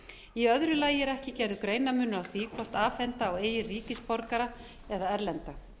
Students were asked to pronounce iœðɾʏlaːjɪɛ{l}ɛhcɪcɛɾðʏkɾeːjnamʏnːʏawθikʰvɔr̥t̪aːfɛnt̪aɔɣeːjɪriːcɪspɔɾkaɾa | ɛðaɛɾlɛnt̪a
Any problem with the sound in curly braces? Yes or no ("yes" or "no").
yes